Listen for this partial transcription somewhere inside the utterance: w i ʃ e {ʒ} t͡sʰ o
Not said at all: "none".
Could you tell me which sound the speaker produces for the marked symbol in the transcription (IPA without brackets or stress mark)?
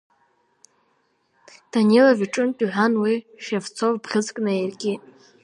v